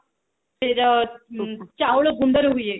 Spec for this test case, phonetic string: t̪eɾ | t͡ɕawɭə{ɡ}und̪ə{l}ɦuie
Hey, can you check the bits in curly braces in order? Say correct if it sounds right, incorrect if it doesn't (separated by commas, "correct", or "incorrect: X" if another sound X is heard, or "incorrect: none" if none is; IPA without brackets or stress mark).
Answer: correct, incorrect: ɾ